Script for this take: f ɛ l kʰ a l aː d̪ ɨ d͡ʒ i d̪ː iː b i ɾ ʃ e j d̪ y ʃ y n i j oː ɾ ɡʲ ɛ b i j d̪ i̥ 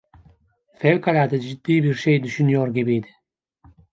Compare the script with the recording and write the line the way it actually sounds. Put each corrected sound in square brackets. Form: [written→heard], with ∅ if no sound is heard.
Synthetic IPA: f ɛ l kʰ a l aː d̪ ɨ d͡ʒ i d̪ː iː b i ɾ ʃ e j d̪ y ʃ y n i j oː ɾ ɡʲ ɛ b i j d̪ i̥